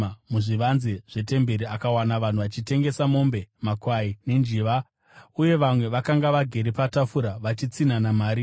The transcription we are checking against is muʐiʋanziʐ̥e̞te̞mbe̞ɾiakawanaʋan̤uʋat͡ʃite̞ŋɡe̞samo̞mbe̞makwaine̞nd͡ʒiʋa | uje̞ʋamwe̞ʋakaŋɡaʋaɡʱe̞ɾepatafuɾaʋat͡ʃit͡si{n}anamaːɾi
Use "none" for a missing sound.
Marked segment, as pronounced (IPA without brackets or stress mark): n